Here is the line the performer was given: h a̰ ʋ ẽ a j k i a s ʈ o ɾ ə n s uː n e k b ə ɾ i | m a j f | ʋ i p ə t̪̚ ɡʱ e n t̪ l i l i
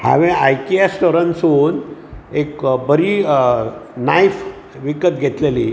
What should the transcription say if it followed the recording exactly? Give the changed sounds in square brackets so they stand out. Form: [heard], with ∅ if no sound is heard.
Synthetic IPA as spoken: h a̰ ʋ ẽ a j k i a s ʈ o ɾ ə n s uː n e k b ə ɾ i | [n] a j f | ʋ i [k] ə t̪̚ ɡʱ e [∅] t̪ l [e] l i